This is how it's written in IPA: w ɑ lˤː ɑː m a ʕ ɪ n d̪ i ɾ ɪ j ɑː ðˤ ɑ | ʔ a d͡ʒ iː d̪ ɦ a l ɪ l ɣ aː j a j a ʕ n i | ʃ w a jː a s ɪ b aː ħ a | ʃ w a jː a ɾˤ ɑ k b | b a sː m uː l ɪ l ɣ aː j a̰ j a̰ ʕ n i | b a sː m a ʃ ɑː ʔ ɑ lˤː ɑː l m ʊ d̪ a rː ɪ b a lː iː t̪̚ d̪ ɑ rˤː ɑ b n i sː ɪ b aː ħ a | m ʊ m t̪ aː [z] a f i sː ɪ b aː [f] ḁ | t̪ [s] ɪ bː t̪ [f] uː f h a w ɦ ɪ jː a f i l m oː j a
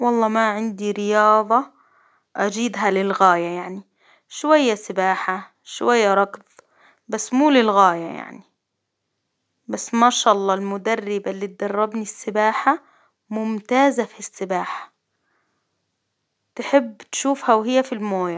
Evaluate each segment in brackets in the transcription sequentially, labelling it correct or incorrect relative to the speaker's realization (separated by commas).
correct, incorrect, incorrect, incorrect